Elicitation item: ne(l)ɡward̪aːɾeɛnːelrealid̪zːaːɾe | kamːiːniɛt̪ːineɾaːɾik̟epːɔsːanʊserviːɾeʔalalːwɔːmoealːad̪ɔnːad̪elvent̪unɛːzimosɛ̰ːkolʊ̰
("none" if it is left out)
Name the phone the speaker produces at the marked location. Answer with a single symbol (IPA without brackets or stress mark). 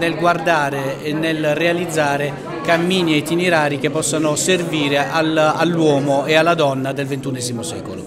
l